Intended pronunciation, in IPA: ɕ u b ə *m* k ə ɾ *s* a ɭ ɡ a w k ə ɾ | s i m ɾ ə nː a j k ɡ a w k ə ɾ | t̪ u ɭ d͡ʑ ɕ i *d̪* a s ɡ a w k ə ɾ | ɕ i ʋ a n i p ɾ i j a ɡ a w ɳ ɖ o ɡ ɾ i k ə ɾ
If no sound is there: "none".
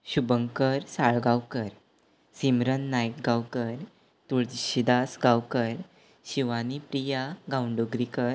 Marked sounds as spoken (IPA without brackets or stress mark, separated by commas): ŋ, s, d̪